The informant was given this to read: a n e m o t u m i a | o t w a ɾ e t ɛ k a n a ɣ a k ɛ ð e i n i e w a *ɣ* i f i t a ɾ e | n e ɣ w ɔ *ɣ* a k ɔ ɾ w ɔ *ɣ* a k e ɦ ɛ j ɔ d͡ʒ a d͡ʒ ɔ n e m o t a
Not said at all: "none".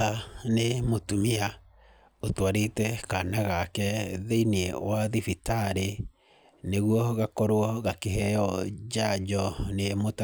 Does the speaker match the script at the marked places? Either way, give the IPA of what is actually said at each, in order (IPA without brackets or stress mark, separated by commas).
ð, ɣ, ɣ